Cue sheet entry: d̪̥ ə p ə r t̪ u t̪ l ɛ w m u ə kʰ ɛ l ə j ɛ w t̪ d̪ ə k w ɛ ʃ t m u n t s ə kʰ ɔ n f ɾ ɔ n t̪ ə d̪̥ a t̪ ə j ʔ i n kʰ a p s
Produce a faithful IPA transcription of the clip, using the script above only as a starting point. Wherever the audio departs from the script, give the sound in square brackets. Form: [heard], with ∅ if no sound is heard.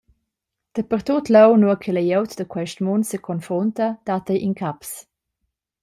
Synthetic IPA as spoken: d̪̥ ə p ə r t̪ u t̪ l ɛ w [n] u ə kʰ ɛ l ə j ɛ w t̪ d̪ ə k w ɛ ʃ t m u n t s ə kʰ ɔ n f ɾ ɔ n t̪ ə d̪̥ a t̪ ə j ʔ i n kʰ a p s